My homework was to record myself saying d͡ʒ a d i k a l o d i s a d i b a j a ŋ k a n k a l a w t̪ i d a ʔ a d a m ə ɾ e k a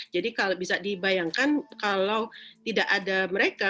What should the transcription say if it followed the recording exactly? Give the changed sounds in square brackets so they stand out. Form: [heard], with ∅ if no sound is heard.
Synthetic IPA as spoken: d͡ʒ a d i k a l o [b] i s a d i b a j a ŋ k a n k a l a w t̪ i d a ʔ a d a m ə ɾ e k a